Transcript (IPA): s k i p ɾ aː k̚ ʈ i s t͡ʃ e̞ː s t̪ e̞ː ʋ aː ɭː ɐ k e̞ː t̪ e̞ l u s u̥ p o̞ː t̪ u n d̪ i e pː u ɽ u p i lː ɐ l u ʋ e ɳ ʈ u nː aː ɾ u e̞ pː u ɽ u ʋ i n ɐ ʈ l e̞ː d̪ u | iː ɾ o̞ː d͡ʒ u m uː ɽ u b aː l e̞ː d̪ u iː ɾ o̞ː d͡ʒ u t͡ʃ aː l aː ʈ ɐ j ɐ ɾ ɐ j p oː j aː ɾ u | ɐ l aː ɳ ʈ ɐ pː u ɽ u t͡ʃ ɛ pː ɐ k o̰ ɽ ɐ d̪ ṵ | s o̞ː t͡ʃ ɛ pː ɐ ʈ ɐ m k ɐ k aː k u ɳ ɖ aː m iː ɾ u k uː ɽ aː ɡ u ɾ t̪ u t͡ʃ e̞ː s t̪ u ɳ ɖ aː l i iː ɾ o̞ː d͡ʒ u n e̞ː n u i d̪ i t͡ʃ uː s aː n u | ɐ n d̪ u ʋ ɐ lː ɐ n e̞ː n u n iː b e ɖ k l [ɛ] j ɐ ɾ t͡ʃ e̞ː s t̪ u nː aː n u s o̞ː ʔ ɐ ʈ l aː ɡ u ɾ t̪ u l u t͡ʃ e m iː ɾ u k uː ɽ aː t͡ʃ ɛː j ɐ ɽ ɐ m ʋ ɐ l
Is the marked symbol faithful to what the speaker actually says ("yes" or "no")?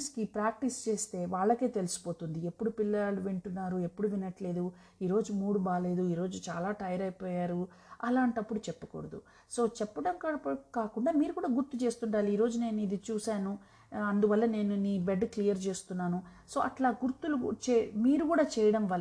no